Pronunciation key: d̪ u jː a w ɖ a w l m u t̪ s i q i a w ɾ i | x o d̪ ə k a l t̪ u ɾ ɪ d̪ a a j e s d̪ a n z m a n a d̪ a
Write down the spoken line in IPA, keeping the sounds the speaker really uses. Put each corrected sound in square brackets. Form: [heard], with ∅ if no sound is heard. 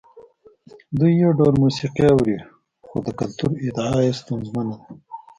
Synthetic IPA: d̪ u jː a w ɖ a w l m u [∅] s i q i a w ɾ i | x o d̪ ə k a l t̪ u ɾ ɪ d̪ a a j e s [t̪] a n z m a n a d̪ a